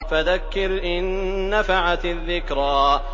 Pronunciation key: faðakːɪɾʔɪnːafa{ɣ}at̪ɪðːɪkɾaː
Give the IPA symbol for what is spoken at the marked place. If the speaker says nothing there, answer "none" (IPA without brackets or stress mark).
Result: ʕ